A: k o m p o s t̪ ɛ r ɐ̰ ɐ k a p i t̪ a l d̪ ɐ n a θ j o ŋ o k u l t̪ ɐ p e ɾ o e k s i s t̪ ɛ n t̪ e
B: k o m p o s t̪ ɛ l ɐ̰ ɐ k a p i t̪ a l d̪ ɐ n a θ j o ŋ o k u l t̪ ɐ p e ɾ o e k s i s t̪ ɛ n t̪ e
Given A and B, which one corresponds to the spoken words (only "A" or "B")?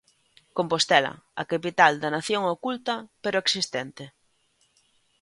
B